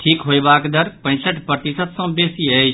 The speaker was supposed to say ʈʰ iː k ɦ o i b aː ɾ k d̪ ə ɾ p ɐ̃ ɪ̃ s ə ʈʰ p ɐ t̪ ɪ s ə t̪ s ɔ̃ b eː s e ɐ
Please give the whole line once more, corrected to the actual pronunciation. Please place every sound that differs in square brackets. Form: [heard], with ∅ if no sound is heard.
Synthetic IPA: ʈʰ iː k ɦ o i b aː [∅] k d̪ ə ɾ p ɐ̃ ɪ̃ s ə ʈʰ p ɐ t̪ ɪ s ə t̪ s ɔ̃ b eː s [i] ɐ